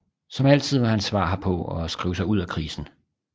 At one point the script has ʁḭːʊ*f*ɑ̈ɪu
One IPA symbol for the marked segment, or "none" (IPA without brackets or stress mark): s